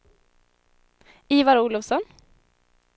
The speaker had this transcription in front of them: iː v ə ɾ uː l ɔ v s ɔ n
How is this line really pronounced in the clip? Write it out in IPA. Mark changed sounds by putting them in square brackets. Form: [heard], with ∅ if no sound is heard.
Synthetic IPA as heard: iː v [a] ɾ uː l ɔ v s ɔ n